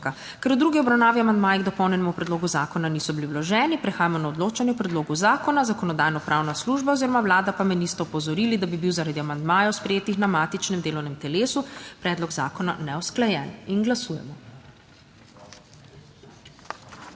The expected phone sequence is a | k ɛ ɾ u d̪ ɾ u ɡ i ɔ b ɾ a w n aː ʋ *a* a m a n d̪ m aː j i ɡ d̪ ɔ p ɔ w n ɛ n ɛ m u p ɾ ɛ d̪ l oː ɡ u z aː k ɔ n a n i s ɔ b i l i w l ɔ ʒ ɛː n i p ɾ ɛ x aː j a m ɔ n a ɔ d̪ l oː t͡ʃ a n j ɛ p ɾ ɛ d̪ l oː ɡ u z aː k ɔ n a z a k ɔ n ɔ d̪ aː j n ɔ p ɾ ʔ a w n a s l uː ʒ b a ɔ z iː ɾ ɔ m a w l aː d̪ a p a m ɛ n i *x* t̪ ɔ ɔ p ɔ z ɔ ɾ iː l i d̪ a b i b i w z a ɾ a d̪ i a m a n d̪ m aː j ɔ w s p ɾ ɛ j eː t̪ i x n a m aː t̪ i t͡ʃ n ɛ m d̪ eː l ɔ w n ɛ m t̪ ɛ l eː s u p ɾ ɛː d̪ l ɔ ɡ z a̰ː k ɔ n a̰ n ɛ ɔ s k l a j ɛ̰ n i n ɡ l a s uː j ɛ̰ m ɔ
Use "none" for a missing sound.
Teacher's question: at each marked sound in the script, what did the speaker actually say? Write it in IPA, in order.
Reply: i, s

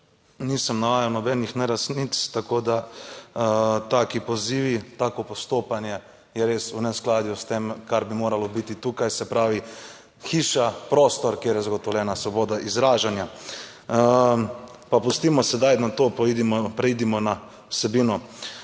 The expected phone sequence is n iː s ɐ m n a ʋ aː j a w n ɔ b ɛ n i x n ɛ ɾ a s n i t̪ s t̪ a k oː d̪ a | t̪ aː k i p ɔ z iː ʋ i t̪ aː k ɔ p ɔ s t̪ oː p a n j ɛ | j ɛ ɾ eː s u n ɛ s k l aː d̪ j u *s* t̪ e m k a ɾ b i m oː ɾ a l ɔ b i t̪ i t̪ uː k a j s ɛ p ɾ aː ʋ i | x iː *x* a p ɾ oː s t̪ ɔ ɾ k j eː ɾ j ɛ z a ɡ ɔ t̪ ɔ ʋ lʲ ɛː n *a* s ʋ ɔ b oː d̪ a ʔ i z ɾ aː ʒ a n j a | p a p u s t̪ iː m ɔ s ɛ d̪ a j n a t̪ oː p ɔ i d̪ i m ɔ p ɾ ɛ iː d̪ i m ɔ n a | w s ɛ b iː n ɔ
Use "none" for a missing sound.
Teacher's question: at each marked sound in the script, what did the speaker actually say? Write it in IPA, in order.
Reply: s, ʃ, a

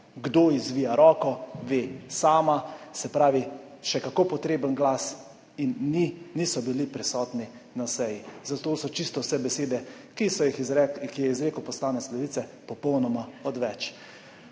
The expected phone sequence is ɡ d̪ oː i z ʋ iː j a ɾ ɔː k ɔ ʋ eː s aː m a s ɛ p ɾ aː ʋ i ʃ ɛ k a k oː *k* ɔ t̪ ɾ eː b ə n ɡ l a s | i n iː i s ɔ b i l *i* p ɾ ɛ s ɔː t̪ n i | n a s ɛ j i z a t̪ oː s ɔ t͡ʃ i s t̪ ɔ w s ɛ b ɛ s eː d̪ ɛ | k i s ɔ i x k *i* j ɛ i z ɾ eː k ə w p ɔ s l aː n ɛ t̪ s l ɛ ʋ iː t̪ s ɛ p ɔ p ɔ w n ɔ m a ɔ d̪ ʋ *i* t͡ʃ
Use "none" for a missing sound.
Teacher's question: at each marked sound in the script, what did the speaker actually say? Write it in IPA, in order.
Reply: p, i, i, ɛ

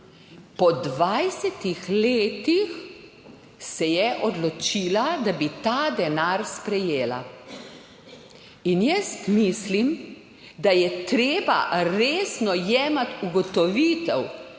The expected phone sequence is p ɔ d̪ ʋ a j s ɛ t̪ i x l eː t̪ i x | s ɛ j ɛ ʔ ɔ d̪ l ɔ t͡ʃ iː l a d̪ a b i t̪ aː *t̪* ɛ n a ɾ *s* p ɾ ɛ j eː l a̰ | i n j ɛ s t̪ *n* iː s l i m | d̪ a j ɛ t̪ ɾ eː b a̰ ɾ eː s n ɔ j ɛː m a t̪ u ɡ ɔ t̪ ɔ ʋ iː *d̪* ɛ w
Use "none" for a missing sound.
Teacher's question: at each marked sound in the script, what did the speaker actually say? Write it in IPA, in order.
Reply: d̪, s, m, t̪

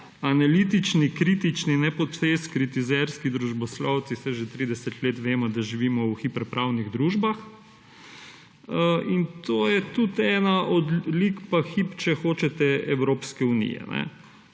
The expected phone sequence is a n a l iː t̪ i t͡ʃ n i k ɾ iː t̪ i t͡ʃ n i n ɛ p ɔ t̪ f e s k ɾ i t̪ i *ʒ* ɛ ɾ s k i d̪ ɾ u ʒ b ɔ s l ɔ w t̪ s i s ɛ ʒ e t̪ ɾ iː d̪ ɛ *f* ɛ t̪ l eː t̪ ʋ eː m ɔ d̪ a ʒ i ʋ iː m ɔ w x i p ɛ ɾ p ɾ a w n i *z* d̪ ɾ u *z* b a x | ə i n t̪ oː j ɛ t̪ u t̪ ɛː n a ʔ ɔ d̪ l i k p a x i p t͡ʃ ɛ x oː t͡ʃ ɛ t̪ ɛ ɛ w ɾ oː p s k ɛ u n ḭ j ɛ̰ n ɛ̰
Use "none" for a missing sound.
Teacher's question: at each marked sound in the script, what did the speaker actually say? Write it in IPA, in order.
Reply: z, s, ɣ, ʒ

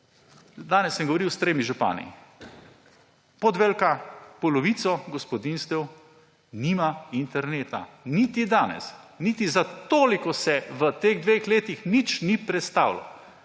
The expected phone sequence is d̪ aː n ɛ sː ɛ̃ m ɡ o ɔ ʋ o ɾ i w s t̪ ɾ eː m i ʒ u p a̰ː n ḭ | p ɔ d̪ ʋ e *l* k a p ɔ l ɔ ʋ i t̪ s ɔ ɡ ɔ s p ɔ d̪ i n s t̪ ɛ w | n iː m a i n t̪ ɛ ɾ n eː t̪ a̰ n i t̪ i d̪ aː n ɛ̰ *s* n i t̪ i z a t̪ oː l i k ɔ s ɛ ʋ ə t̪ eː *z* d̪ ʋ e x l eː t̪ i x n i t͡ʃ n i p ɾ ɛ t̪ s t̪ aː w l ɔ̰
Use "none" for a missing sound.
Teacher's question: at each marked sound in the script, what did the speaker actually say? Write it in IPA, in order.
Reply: l, s, ɣ

